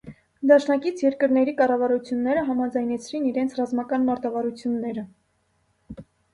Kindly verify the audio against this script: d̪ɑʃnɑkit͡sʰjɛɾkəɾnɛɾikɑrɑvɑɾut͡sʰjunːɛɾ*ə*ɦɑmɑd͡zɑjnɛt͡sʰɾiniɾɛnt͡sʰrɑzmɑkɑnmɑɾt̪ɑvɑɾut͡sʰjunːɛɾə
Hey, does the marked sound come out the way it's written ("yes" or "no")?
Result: yes